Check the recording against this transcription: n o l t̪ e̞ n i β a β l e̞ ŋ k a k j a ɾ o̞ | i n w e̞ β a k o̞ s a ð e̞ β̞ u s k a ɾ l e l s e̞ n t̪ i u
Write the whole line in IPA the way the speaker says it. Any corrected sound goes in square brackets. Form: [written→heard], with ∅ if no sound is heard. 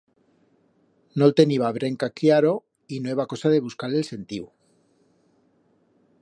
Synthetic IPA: n o l t̪ e̞ n i β a β [l→ɾ] e̞ ŋ k a k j a ɾ o̞ | i n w e̞ β a k o̞ s a ð e̞ β̞ u s k a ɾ l e l s e̞ n t̪ i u